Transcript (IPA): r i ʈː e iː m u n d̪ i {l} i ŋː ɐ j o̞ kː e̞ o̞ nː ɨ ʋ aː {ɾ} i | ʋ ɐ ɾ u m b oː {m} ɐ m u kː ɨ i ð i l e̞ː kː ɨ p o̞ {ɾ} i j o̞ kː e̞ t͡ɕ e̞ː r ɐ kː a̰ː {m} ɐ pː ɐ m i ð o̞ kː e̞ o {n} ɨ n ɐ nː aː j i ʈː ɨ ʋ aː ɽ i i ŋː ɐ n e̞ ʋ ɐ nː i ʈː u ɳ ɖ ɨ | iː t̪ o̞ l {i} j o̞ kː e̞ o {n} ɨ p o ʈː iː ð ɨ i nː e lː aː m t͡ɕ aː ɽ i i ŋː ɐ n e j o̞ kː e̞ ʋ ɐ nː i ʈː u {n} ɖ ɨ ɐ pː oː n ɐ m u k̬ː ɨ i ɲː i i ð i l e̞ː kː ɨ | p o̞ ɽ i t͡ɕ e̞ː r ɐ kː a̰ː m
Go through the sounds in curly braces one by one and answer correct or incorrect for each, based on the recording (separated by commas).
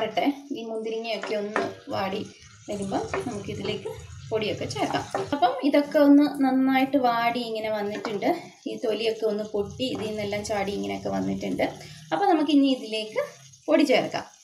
incorrect, incorrect, incorrect, incorrect, correct, incorrect, correct, incorrect, incorrect